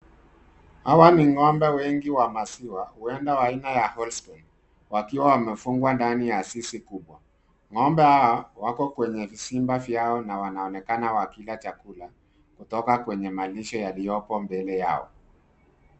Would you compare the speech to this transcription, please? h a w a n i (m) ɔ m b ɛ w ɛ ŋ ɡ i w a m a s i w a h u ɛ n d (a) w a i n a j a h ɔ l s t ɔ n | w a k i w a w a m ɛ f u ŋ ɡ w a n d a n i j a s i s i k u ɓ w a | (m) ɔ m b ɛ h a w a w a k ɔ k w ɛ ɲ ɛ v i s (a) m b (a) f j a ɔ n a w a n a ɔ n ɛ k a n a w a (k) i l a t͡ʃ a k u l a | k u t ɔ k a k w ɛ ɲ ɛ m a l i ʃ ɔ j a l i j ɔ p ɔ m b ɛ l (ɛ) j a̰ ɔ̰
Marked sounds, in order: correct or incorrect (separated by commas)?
incorrect, correct, incorrect, incorrect, correct, correct, correct